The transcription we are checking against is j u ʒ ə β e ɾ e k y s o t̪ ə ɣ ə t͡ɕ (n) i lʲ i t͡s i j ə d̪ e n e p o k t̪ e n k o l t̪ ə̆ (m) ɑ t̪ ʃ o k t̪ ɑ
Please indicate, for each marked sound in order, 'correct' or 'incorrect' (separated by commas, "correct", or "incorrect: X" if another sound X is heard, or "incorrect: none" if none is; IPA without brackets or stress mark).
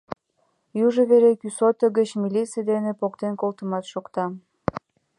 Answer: incorrect: m, correct